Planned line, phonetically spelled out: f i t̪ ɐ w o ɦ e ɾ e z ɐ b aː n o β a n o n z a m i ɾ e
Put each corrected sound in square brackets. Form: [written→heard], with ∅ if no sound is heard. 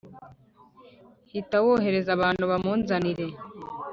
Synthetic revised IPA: [f→h] i t̪ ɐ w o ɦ e ɾ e z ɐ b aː n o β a [n→m] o n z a [m→n] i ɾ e